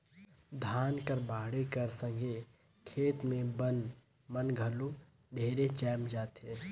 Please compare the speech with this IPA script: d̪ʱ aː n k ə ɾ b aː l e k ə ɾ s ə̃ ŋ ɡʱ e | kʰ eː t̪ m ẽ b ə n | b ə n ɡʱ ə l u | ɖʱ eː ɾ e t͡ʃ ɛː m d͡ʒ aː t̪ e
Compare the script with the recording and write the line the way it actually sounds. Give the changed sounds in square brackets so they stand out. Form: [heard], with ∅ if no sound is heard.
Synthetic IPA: d̪ʱ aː n k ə ɾ b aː [ɽ] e k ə ɾ s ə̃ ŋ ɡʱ e | kʰ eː t̪ m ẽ b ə n | [m] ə n ɡʱ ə l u | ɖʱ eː ɾ e t͡ʃ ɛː m d͡ʒ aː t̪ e

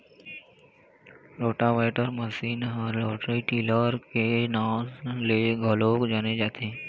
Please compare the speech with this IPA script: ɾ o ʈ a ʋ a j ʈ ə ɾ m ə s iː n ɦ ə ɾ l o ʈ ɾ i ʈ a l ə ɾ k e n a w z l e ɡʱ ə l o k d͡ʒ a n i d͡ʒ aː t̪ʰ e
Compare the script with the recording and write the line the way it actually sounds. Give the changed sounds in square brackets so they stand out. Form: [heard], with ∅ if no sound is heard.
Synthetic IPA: ɾ o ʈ a ʋ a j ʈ ə ɾ m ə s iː n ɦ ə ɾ l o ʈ ɾ i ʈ [i] l ə ɾ k e n a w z l e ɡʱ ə l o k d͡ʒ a n [e] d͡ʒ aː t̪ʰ e

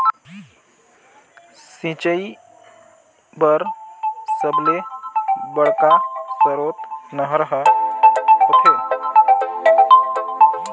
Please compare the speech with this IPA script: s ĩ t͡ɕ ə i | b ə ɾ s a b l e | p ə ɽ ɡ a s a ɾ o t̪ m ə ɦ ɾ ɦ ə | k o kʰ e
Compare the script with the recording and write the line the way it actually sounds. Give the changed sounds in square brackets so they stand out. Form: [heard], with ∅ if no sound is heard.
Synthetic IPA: s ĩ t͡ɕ ə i | b ə ɾ s [ə] b l e | [b] ə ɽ [k] a s [ə] ɾ o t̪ [n] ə ɦ ɾ ɦ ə | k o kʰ e

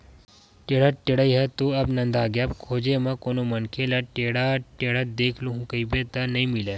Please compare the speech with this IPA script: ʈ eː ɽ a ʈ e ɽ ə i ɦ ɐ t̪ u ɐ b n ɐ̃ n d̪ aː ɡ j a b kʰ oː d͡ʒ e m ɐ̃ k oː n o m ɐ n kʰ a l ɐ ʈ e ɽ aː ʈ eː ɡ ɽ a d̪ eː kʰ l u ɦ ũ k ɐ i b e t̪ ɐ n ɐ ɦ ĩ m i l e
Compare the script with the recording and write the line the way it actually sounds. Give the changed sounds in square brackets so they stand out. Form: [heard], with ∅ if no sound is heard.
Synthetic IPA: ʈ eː ɽ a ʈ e ɽ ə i ɦ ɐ t̪ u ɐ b n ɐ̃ n d̪ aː ɡ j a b kʰ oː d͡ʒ e m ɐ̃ k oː n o m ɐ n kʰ [e] l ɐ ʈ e ɽ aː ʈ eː [∅] ɽ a d̪ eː kʰ l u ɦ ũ k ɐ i b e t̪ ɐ n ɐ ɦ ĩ m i l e

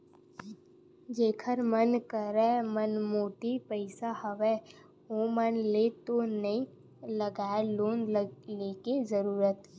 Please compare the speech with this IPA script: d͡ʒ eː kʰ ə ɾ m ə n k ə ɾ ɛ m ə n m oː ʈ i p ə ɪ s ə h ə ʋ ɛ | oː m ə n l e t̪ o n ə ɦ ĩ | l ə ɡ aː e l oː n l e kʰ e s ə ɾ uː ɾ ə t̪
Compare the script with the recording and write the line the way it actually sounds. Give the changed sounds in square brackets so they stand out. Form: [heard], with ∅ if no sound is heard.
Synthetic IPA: d͡ʒ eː kʰ ə ɾ m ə n k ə ɾ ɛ m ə n m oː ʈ i p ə ɪ s [a] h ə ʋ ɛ | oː m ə n l e t̪ o n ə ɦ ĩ | l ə ɡ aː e l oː n l e [k] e [z] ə ɾ uː ɾ ə t̪

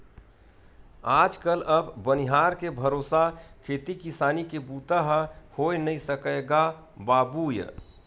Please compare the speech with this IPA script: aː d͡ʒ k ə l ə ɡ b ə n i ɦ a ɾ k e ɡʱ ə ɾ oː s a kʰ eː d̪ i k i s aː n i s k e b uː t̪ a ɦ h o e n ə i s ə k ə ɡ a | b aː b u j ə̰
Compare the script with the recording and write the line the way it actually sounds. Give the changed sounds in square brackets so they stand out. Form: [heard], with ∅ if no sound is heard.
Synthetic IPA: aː d͡ʒ k ə l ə [b] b ə n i ɦ a ɾ k e [bʱ] ə ɾ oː s a kʰ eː [t̪] i k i s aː n i [∅] k e b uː t̪ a ɦ h o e n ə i s ə k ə ɡ a | b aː b u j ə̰

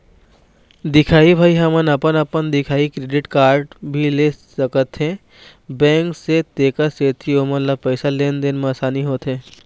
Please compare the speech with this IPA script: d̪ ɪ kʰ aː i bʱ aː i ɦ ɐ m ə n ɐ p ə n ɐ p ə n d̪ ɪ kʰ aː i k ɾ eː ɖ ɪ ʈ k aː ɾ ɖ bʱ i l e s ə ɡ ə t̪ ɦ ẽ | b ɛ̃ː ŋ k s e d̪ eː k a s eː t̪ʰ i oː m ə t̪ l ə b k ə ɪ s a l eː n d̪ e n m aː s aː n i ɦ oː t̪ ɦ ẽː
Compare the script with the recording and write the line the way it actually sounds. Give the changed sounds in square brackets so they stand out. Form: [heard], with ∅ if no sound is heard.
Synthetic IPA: d̪ ɪ kʰ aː i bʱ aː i ɦ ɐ m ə n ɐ p ə n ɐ p ə n d̪ ɪ kʰ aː i k ɾ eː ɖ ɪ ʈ k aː ɾ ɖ bʱ i l e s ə [k] ə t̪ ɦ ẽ | b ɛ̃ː ŋ k s e [t̪] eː k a s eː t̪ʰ i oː m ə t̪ l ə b [p] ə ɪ s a l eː n d̪ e n m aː s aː n i ɦ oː t̪ ɦ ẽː

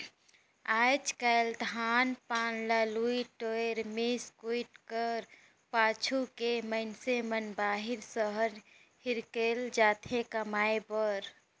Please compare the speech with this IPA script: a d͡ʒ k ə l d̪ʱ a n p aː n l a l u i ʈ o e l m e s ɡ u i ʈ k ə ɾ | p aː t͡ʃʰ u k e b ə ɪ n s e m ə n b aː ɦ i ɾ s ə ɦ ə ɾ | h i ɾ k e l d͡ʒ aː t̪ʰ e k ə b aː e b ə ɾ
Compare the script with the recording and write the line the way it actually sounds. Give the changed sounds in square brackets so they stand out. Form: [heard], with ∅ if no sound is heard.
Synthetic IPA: a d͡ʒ k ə l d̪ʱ a n p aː n l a l u i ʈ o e [ɾ] m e s [k] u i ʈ k ə ɾ | p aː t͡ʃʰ u k e [m] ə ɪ n s e m ə n b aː ɦ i ɾ s ə ɦ ə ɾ | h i ɾ k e l d͡ʒ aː t̪ʰ e k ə [m] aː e b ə ɾ

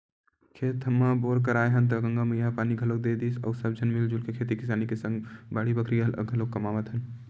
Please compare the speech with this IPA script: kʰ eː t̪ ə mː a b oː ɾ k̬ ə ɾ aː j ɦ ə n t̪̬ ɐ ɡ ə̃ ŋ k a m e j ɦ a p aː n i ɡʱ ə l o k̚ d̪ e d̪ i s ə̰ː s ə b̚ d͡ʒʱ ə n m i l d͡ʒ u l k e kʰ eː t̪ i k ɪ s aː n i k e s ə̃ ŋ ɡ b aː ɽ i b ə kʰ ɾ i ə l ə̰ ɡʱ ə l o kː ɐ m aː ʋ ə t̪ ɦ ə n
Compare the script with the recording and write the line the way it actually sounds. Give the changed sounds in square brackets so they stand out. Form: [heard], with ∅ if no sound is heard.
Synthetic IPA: kʰ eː t̪ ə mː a b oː ɾ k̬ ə ɾ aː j ɦ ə n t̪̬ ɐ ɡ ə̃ ŋ [ɡ] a m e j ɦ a p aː n i ɡʱ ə l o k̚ d̪ e d̪ i s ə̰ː s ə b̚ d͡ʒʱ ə n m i l d͡ʒ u l k e kʰ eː t̪ i k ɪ s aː n i k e s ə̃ ŋ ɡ b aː ɽ i b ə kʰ ɾ i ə l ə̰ ɡʱ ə l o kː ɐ m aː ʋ ə t̪ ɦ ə n

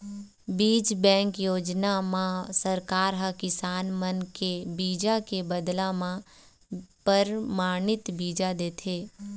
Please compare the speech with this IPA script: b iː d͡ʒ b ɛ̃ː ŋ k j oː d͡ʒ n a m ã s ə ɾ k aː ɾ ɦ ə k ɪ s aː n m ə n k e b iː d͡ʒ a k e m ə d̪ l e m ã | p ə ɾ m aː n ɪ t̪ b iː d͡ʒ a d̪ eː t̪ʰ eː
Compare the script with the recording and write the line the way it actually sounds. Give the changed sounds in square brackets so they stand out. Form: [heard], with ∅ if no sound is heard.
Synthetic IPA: b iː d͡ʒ b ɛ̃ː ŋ k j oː d͡ʒ n a m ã s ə ɾ k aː ɾ ɦ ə k ɪ s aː n m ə n k e b iː d͡ʒ a k e [b] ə d̪ l [a] m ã | p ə ɾ m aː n ɪ t̪ b iː d͡ʒ a d̪ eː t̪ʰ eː

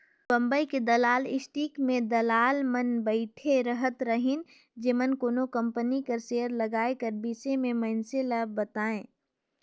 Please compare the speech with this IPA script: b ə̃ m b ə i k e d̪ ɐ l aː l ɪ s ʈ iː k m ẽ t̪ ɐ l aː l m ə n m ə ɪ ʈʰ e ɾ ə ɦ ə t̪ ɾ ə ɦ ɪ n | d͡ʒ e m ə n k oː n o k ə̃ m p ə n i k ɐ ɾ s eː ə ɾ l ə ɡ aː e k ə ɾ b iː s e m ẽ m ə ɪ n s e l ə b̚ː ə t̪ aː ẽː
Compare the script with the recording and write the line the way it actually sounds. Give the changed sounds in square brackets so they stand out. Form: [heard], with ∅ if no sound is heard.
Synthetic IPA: b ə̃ m b ə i k e d̪ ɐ l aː l ɪ s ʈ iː k m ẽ [d̪] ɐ l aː l m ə n [b] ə ɪ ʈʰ e ɾ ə ɦ ə t̪ ɾ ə ɦ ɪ n | d͡ʒ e m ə n k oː n o k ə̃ m p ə n i k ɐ ɾ s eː ə ɾ l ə ɡ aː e k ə ɾ b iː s e m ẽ m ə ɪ n s e l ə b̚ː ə t̪ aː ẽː

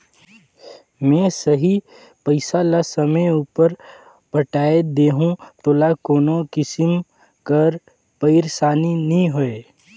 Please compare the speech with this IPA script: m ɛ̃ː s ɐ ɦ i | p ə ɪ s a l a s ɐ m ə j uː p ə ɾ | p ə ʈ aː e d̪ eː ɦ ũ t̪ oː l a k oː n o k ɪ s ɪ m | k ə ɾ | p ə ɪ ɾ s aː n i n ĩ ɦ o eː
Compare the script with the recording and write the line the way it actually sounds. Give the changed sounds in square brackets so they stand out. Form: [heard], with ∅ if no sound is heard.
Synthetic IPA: m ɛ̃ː s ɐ ɦ i | p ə ɪ s a l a s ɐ m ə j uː p ə ɾ | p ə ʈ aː e d̪ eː ɦ ũ t̪ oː l a k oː n o k ɪ s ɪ m | k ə ɾ | p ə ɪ ɾ s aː n i n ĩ ɦ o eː

